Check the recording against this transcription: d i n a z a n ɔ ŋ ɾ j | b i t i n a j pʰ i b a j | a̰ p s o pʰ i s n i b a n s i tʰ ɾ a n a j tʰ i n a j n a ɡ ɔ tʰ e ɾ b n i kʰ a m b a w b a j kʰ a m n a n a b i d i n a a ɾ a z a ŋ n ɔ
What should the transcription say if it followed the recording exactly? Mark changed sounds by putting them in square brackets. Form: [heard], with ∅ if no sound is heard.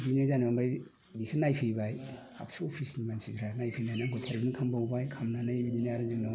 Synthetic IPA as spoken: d i n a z a n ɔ [m] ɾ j | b i [s] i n a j pʰ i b a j | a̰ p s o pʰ i s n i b a n s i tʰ ɾ a n a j [pʰ] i n a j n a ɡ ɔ tʰ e ɾ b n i kʰ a m b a w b a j kʰ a m n a n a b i d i n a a ɾ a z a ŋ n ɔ